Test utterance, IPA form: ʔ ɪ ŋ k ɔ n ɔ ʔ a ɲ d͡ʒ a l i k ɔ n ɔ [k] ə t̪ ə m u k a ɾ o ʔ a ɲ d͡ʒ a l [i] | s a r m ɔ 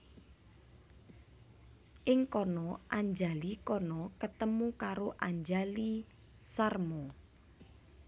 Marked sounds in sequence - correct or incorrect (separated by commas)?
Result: correct, correct